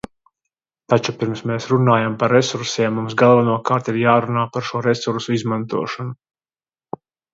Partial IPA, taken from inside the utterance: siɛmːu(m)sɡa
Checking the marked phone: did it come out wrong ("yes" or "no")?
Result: no